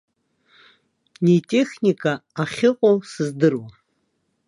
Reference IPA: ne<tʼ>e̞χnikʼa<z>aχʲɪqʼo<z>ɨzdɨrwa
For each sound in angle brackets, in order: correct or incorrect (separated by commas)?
correct, incorrect, incorrect